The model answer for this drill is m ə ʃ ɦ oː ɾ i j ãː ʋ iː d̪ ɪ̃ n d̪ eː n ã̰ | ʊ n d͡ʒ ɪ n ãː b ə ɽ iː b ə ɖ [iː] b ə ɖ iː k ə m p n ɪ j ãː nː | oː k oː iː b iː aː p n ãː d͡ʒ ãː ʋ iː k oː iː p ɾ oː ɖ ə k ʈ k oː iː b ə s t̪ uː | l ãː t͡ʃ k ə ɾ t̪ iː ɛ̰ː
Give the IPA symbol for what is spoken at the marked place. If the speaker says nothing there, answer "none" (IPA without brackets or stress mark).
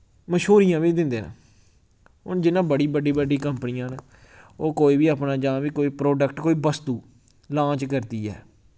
iː